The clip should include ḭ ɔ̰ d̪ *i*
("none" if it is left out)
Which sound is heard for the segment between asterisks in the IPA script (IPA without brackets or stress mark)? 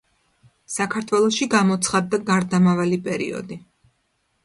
i